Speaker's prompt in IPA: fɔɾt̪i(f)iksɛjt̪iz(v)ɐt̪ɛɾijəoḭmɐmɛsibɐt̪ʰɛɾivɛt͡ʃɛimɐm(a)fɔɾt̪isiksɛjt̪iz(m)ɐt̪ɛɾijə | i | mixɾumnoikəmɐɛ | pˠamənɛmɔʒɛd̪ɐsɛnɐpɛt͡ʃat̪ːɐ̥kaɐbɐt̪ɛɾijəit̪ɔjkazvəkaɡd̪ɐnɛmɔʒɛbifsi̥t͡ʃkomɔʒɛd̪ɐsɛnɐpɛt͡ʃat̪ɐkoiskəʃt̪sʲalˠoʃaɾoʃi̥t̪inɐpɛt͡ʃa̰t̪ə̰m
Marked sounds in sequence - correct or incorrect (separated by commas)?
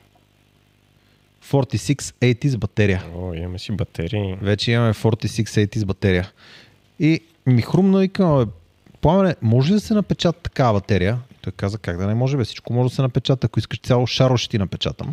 incorrect, incorrect, incorrect, incorrect